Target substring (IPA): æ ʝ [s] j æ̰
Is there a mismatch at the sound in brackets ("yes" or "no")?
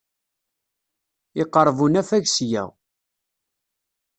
no